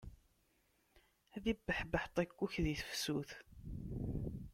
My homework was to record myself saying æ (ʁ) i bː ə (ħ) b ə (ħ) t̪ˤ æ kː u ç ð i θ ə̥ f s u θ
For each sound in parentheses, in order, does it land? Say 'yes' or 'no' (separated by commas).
no, yes, yes